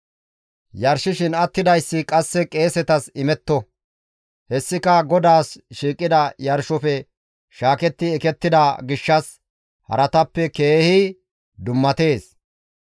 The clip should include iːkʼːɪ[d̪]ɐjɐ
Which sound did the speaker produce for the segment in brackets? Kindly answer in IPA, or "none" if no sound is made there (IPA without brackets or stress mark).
d̪